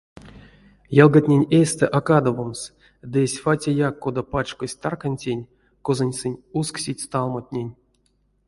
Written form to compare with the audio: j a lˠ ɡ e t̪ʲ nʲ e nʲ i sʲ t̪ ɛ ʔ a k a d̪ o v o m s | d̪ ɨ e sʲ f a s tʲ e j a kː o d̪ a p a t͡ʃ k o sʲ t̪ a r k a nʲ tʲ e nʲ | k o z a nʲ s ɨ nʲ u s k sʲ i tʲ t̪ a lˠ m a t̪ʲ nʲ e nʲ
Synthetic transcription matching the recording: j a lˠ ɡ a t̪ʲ nʲ e nʲ e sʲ t̪ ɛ ʔ a k a d̪ o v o m s | d̪ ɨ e sʲ f a tʲ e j a kː o d̪ a p a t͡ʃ k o sʲ t̪ a r k a nʲ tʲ e nʲ | k o z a nʲ s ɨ nʲ u s k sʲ i tʲ t̪ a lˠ m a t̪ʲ nʲ e nʲ